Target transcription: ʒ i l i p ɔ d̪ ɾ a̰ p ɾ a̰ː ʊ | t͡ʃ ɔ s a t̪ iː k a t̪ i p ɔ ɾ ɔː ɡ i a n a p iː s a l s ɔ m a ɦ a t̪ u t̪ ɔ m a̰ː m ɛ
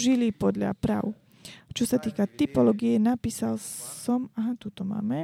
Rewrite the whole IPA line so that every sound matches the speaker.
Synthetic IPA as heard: ʒ i l i p ɔ d̪ ʎ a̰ p ɾ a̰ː ʊ | t͡ʃ ɔ s a t̪ iː k a t̪ i p ɔ l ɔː ɡ i ɛ n a p iː s a l s ɔ m a ɦ a t̪ u t̪ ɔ m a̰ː m ɛ